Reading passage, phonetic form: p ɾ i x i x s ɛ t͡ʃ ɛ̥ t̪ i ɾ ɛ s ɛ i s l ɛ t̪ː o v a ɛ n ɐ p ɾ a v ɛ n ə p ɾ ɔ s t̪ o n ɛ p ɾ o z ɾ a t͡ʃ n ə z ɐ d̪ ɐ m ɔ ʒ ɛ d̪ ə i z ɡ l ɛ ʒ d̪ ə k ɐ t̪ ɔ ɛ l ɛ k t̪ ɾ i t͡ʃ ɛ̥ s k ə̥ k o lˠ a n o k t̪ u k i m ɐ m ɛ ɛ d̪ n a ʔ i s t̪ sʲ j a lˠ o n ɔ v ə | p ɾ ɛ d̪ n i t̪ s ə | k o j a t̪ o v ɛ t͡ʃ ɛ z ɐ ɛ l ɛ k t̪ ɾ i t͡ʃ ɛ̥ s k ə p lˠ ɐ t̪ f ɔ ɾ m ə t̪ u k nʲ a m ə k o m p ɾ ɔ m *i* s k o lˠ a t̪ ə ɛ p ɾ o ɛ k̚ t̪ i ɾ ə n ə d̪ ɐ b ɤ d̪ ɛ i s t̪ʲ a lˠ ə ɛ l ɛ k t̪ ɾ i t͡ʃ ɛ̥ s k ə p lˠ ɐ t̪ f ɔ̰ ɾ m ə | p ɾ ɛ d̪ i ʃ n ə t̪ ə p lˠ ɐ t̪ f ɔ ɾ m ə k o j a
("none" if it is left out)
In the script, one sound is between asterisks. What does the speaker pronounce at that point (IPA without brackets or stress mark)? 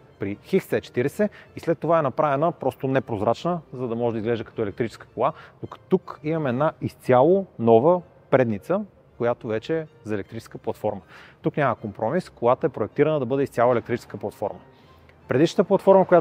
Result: i